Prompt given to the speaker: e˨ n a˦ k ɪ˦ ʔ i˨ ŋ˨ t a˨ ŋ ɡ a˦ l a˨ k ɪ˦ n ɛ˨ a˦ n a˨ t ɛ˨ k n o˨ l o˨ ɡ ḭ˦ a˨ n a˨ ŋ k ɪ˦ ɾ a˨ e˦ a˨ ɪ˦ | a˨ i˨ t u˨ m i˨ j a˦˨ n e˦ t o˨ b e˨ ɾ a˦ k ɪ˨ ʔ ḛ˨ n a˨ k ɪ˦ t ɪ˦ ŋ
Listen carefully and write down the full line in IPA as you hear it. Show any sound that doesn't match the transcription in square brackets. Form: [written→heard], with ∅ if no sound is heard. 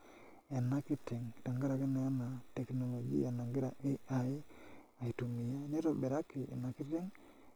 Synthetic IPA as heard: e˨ n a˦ k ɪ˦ [ʔ→t] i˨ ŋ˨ t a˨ ŋ ɡ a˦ [l→ɾ] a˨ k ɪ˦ n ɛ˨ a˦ n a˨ t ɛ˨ k n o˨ l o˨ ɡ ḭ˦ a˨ n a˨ ŋ [k→ɡ] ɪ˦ ɾ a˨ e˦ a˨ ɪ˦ | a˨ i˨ t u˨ m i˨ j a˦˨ n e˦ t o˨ b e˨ ɾ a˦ k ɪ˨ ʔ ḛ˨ n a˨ k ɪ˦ t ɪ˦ ŋ